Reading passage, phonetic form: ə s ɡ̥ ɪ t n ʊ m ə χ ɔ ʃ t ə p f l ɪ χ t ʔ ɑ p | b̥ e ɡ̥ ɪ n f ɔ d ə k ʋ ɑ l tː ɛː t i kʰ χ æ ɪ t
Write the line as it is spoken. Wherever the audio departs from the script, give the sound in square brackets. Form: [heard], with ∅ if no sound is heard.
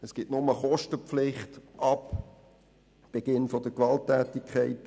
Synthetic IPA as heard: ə s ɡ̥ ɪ t n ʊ m ə χ ɔ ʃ t ə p f l ɪ χ t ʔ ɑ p | b̥ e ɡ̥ ɪ n f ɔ d ə k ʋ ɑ l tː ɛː t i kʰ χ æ ɪ t